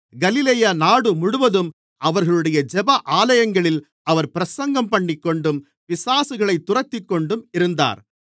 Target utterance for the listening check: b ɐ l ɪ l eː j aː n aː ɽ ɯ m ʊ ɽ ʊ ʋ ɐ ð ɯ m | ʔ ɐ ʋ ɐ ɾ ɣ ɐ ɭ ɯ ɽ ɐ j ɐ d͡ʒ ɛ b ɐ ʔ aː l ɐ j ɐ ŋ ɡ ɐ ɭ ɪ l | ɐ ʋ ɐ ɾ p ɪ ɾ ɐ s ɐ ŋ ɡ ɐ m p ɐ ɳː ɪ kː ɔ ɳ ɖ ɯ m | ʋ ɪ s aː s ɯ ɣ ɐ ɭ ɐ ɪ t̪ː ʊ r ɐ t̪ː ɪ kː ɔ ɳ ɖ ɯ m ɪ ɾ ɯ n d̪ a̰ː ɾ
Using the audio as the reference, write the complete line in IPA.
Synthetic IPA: ɡ ɐ l ɪ l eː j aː n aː ɽ ɯ m ʊ ɽ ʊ ʋ ɐ ð ɯ m | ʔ ɐ ʋ ɐ ɾ ɣ ɐ ɭ ɯ ɽ ɐ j ɐ d͡ʒ ɛ b ɐ ʔ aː l ɐ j ɐ ŋ ɡ ɐ ɭ ɪ l | ɐ ʋ ɐ ɾ p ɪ ɾ ɐ s ɐ ŋ ɡ ɐ m p ɐ ɳː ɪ kː ɔ ɳ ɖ ɯ m | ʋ ɪ s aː s ɯ ɣ ɐ ɭ ɐ ɪ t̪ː ʊ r ɐ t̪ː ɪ kː ɔ ɳ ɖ ɯ m ɪ ɾ ɯ n d̪ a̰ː ɾ